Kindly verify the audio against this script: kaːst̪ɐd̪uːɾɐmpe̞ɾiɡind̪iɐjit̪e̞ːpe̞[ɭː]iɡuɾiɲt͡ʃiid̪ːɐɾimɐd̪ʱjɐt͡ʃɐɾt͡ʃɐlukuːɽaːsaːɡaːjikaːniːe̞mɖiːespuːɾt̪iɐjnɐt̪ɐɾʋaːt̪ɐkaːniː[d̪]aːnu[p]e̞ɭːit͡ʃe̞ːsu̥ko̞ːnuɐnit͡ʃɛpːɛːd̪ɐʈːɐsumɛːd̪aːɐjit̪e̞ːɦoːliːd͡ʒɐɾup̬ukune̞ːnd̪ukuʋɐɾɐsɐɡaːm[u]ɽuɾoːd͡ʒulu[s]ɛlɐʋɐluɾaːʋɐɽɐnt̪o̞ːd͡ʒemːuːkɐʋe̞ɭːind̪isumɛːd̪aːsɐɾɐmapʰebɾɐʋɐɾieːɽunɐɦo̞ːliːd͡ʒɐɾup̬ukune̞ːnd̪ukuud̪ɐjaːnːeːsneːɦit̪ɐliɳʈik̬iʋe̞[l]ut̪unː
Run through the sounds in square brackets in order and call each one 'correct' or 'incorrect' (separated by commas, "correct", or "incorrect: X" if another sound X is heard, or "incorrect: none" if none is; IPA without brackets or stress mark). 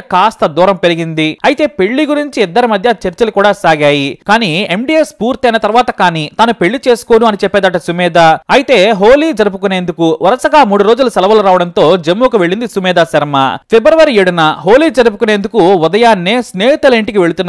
correct, incorrect: t̪, correct, incorrect: uː, correct, incorrect: ɭ